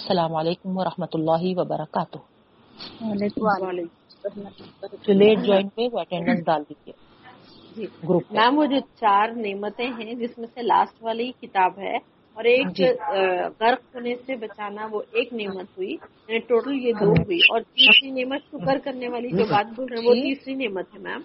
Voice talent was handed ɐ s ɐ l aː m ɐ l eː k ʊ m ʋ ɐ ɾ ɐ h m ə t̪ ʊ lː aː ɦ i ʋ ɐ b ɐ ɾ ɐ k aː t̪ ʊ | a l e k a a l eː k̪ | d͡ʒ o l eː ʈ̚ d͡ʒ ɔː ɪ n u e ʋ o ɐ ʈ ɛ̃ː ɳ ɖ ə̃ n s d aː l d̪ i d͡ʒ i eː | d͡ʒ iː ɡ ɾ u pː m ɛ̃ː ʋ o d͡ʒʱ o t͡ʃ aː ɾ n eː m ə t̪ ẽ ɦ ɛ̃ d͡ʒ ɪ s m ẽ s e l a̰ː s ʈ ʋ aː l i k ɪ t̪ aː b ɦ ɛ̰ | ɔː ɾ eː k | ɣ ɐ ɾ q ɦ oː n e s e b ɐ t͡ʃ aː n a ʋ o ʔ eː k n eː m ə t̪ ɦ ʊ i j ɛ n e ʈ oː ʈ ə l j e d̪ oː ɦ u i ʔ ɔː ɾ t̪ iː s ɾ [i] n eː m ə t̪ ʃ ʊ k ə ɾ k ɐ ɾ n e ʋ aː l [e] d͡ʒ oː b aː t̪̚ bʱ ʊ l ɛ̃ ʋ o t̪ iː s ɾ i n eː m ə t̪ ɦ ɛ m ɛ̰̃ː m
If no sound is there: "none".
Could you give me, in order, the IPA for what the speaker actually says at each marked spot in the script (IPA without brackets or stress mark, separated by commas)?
i, i